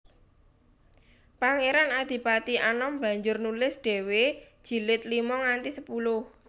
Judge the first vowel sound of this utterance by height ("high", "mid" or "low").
low